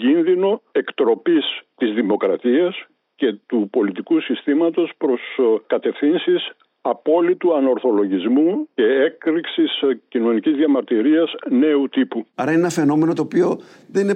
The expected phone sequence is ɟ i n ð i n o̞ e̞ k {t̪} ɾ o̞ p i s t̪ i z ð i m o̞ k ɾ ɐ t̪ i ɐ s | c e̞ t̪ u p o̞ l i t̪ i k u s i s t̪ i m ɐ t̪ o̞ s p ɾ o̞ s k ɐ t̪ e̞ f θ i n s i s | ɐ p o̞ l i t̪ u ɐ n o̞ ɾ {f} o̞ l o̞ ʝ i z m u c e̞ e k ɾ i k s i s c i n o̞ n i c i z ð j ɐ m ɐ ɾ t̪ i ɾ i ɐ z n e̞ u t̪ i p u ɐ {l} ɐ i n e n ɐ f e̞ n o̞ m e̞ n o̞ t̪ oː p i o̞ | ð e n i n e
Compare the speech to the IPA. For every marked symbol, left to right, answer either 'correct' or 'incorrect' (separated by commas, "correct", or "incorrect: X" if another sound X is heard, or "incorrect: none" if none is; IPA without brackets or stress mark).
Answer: correct, incorrect: θ, incorrect: ɾ